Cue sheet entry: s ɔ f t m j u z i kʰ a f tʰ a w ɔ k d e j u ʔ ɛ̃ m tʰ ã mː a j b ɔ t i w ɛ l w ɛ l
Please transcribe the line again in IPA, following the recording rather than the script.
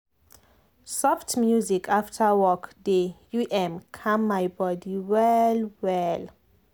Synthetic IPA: s ɔ f t m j u z i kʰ a f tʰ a w ɔ k d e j u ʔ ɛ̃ m kʰ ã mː a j b ɔ d i w ɛ l w ɛ l